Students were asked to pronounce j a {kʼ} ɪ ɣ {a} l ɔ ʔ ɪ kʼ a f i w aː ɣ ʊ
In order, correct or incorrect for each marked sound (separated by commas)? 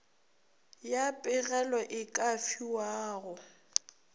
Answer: incorrect, incorrect